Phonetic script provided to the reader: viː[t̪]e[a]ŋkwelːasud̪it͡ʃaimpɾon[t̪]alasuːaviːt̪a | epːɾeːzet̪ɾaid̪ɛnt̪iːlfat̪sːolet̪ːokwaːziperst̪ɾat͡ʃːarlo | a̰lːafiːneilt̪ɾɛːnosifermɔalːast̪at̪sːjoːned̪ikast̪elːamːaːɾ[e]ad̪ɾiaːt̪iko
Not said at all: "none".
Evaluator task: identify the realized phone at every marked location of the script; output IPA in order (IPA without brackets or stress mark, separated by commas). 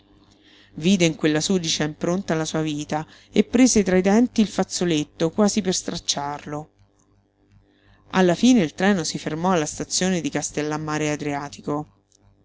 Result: d̪, i, t̪, e